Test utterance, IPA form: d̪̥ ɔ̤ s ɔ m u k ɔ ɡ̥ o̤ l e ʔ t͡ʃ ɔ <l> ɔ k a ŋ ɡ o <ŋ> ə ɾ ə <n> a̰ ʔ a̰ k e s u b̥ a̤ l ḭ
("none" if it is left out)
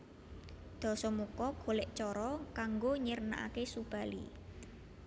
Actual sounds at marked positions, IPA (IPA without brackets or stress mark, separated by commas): ɾ, ɲ, n